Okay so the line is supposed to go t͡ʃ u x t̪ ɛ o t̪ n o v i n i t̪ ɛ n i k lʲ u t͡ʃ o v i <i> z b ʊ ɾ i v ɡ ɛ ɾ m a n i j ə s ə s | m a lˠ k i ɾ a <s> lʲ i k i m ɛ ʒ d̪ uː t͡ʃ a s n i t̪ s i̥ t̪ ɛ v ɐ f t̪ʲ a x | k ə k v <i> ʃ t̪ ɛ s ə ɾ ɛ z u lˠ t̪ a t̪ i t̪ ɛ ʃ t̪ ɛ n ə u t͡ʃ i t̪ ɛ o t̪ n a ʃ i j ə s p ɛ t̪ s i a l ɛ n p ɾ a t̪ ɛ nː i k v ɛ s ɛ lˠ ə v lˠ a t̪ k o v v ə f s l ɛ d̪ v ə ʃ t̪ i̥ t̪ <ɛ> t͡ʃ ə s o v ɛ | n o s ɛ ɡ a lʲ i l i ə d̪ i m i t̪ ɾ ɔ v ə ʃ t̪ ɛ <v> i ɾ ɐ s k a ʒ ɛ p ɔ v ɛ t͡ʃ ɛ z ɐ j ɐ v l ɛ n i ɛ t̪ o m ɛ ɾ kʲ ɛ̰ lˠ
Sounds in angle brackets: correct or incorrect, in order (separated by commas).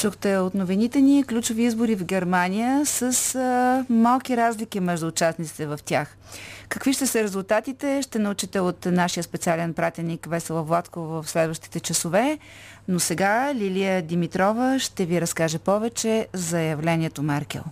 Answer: correct, incorrect, correct, correct, correct